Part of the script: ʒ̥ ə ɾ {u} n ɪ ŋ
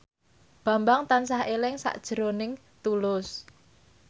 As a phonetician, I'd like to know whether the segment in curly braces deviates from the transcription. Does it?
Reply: yes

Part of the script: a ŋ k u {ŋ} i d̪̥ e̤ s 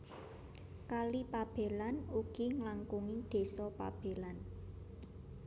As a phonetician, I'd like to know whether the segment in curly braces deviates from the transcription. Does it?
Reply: no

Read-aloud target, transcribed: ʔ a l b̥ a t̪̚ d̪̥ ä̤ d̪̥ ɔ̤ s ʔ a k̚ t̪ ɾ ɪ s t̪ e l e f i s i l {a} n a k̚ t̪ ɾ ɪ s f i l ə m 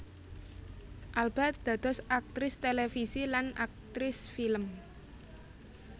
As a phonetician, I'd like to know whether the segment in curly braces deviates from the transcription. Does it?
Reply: no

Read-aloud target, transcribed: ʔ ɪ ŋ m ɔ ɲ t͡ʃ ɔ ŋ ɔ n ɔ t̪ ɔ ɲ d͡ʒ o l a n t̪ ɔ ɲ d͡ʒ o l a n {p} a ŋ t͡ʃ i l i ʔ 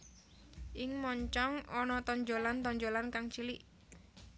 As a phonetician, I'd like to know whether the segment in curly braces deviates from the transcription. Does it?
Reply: yes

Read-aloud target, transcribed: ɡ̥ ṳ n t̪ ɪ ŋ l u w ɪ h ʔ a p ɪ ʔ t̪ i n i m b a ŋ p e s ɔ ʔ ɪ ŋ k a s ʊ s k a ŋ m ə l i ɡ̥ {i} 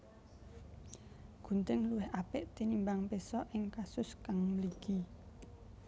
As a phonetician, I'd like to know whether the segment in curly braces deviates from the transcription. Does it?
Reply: no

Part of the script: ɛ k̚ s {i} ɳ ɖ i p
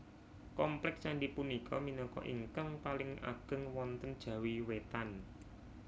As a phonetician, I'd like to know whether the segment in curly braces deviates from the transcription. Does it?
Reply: yes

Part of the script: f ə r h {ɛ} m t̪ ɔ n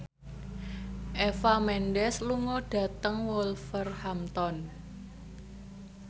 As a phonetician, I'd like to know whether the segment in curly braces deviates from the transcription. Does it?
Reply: yes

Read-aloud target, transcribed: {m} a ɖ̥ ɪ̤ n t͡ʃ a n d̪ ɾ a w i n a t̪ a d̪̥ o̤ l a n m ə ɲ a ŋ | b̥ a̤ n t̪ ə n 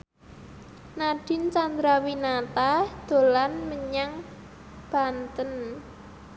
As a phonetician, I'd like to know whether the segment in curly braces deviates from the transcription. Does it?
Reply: yes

